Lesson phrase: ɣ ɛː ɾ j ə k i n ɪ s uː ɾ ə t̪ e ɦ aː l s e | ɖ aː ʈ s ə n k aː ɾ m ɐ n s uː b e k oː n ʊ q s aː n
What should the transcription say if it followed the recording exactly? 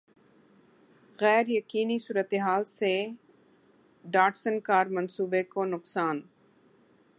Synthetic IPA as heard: ɣ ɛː ɾ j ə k iː n i s uː ɾ ə t̪ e ɦ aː l s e | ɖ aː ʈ s ə n k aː ɾ m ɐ n s uː b e k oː n ʊ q s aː n